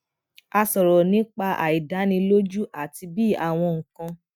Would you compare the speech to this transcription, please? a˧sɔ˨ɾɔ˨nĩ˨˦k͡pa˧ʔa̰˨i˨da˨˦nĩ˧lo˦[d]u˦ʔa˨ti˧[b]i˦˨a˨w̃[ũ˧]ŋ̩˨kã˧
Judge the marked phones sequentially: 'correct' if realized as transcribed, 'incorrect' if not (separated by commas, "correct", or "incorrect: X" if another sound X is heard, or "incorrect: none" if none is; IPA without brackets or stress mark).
incorrect: d͡ʒ, correct, incorrect: ɔ̃˧